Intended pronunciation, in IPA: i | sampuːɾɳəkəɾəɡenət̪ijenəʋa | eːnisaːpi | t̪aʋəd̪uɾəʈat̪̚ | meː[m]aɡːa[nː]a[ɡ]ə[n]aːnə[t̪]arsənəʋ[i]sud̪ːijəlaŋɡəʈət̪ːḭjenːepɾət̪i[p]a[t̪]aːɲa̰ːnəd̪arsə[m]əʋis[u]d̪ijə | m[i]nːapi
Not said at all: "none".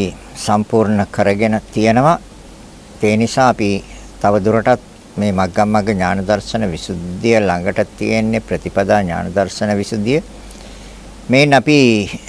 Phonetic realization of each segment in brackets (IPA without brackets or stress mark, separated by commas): m, mː, ɡ, ɲ, d̪, i, p, d̪, n, u, e